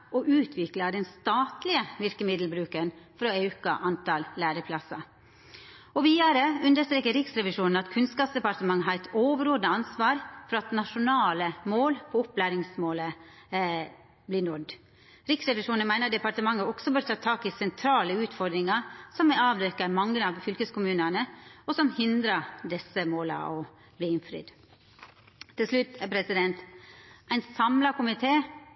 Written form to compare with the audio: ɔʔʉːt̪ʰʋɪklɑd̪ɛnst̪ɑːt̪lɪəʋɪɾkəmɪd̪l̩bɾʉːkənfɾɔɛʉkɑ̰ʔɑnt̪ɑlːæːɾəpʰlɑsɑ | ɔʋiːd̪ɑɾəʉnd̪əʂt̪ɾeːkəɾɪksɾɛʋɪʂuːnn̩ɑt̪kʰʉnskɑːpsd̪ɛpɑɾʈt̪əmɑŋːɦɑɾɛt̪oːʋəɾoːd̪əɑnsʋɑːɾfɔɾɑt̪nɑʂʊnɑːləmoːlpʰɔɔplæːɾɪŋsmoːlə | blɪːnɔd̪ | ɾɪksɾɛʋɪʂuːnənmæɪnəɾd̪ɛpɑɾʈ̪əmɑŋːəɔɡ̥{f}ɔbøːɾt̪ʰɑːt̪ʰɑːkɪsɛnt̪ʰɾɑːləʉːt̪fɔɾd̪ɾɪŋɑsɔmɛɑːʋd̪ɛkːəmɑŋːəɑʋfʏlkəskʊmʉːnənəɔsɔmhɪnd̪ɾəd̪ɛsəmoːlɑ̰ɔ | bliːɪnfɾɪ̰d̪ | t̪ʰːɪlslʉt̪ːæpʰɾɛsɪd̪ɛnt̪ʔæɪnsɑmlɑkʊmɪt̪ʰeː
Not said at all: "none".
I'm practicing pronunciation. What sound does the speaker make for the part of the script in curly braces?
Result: s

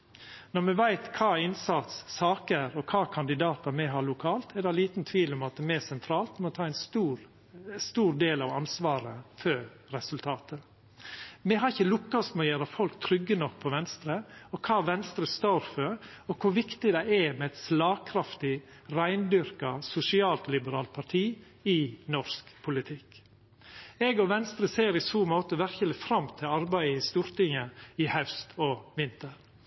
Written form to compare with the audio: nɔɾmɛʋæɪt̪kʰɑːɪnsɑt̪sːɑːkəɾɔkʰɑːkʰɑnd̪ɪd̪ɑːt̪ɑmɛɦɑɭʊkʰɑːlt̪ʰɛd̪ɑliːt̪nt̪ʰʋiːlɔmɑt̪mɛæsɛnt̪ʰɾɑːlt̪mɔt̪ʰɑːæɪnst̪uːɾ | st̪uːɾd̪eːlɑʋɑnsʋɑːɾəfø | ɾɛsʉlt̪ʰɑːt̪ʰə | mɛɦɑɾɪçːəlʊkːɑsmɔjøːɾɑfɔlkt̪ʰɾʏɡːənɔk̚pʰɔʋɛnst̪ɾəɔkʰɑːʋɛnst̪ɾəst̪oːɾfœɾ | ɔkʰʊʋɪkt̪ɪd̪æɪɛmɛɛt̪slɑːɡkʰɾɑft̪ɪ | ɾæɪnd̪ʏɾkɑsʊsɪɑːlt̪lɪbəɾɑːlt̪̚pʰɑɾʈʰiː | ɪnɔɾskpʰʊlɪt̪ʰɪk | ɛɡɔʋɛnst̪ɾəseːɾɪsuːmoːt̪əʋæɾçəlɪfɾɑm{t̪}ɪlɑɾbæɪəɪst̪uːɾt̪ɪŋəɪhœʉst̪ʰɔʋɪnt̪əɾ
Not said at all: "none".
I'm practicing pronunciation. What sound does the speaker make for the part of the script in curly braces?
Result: t̪ʰ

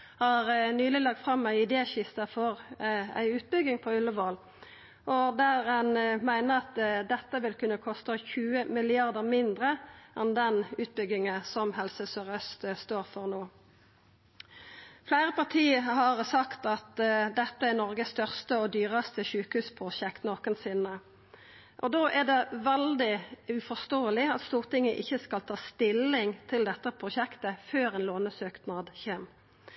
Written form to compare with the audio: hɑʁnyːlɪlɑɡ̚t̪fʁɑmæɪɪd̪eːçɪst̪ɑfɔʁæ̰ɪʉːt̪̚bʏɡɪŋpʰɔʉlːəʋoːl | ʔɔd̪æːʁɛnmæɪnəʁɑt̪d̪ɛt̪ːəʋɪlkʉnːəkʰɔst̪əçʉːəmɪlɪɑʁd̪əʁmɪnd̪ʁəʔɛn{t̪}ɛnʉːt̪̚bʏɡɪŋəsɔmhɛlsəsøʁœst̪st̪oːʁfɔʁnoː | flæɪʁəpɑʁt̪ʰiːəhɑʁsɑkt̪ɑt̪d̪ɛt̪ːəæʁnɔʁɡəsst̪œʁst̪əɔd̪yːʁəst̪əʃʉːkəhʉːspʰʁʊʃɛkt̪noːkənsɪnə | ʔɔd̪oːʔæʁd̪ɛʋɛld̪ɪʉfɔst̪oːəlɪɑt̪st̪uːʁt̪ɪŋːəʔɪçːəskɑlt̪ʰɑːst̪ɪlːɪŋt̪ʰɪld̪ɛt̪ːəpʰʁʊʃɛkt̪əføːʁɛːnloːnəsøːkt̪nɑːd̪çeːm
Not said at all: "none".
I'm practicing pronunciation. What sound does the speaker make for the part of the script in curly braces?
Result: d̪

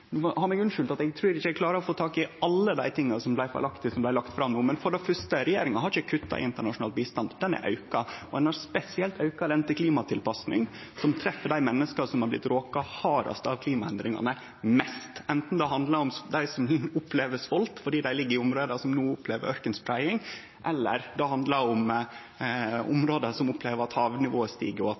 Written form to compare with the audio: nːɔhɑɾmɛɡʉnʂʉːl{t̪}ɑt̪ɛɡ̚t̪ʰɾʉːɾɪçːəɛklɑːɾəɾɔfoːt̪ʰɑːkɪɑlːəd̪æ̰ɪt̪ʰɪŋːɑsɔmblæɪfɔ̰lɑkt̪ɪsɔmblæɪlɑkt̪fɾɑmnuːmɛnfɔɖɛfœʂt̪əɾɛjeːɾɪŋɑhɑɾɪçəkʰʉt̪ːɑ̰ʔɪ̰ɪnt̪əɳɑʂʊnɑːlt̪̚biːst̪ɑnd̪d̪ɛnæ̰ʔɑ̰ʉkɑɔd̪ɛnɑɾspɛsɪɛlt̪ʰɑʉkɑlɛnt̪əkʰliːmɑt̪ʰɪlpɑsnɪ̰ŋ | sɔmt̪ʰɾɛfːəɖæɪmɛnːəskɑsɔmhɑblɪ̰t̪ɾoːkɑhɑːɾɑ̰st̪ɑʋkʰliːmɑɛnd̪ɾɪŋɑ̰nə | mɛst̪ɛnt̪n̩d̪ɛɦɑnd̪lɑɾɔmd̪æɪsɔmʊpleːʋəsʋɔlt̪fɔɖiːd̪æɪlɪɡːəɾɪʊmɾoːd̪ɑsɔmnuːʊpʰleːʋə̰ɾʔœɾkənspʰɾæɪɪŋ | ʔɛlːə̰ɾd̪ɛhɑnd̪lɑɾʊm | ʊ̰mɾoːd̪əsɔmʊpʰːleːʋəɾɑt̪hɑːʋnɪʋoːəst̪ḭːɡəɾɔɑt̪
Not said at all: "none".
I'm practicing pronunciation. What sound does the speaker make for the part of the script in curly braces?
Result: t̪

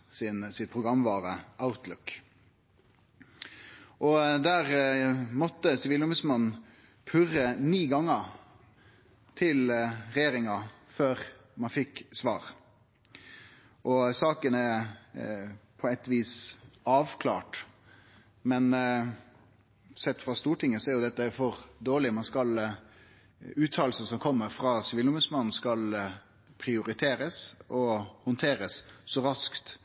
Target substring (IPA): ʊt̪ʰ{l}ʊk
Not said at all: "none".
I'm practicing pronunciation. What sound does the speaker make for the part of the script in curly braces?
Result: l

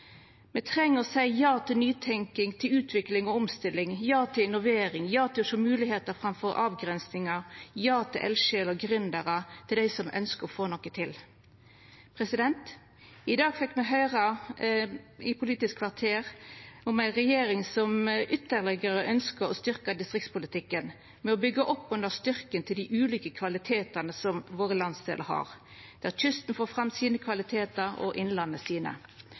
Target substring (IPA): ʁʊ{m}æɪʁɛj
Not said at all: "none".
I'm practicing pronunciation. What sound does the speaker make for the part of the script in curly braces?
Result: m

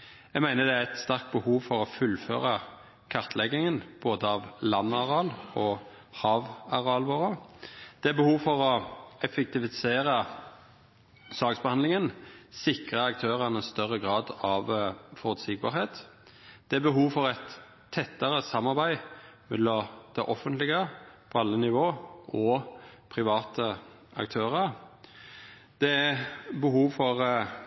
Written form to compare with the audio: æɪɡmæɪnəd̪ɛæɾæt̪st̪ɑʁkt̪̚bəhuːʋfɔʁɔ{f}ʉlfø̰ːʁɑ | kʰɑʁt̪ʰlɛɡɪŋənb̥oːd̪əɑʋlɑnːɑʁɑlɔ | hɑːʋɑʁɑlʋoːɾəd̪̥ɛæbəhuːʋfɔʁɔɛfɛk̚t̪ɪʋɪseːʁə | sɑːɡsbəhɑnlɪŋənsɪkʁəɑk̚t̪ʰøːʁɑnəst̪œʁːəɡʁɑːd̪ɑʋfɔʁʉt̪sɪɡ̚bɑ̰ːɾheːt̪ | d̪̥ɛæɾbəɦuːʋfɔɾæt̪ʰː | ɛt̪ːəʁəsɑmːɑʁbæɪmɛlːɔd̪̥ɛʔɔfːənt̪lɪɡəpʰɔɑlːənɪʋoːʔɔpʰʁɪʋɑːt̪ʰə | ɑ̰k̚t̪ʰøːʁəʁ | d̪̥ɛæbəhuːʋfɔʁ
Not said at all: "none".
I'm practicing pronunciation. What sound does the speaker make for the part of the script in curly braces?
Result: f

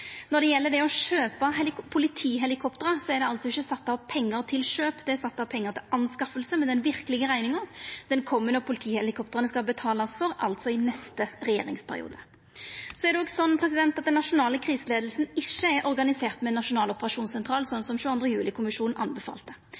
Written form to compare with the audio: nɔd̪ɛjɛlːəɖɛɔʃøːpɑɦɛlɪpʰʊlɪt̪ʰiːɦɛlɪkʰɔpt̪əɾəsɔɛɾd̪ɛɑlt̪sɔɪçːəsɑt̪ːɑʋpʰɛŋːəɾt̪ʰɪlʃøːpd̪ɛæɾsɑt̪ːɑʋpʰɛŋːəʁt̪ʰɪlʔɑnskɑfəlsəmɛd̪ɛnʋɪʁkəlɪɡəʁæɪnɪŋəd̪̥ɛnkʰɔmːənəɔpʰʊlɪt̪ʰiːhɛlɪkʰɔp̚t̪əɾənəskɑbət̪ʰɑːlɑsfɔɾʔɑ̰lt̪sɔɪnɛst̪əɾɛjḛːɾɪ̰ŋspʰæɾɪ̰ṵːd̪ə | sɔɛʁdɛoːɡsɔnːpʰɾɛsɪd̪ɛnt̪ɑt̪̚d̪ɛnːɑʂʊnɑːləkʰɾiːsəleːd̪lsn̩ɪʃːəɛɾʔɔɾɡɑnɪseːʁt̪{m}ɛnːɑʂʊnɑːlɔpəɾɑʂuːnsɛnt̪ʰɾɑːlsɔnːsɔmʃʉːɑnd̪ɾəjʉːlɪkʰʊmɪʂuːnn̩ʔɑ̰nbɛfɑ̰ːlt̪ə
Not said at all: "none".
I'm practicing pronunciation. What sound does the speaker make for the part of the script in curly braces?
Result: m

